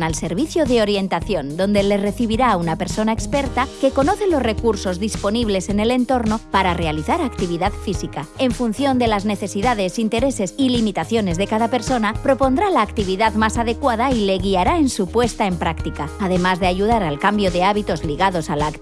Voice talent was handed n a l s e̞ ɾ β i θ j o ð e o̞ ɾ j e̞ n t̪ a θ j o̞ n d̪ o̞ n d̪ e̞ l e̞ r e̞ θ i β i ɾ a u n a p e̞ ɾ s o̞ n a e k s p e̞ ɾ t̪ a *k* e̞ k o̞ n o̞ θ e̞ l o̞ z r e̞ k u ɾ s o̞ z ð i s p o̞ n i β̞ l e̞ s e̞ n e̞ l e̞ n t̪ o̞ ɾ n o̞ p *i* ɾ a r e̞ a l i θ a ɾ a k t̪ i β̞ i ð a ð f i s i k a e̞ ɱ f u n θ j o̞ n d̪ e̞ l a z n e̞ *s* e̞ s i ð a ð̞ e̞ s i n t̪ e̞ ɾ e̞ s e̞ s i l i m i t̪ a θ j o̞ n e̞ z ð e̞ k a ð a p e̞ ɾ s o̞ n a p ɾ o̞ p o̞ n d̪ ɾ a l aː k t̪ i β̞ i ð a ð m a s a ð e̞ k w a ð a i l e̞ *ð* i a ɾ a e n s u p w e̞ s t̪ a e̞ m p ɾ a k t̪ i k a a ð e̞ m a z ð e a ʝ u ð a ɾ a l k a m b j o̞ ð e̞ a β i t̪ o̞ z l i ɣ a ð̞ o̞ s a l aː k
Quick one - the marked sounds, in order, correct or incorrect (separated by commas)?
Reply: correct, incorrect, incorrect, incorrect